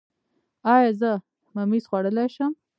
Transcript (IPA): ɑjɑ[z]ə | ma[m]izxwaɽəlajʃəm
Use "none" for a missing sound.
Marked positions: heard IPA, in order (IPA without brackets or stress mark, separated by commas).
z, m